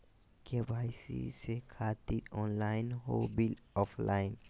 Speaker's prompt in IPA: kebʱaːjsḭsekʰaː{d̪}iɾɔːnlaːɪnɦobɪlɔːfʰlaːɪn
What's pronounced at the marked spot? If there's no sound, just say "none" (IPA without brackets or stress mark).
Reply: t̪